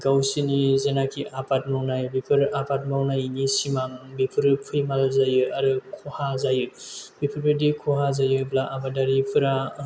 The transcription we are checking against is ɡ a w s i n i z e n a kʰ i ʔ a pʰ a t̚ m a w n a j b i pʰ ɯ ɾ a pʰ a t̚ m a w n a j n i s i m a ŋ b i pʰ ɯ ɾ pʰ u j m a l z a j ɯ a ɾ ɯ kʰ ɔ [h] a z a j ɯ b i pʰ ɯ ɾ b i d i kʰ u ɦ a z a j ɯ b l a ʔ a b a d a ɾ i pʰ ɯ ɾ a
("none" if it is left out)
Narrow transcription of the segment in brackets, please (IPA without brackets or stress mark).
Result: h